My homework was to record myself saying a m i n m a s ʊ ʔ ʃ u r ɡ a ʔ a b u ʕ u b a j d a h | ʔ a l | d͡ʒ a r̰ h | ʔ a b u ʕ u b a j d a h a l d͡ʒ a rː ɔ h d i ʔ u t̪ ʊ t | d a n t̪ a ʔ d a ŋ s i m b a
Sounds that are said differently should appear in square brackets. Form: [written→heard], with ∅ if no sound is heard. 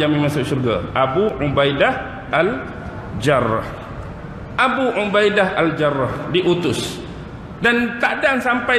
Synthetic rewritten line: a m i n m a s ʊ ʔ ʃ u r ɡ a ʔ a b u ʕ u b a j d a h | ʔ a l | d͡ʒ a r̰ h | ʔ a b u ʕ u b a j d a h a l d͡ʒ a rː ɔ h d i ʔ u t̪ ʊ [t→s] | d a n t̪ a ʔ d a ŋ s [i→a] m [b→p] a